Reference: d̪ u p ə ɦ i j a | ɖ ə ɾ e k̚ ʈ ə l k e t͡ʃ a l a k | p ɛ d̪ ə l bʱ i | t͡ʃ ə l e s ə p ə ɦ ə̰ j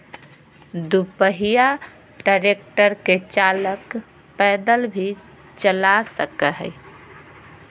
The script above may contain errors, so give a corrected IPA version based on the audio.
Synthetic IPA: d̪ u p ə ɦ i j a | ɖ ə ɾ e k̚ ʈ ə ɾ k e t͡ʃ a l ə k | p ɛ d̪ ə l bʱ i | t͡ʃ ə l a s ə k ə ɦ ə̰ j